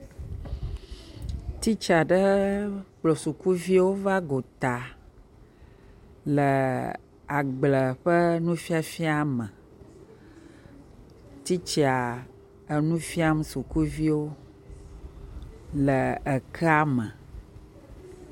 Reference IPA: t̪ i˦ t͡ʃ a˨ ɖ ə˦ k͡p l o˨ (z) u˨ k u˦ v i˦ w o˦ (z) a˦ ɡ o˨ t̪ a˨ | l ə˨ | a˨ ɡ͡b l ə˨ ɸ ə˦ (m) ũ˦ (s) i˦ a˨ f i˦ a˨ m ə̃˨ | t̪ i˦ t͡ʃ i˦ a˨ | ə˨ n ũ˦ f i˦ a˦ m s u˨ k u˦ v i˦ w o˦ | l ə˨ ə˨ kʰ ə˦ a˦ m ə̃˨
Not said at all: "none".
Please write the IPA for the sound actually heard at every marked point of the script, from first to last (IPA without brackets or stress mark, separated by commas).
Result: s, v, n, f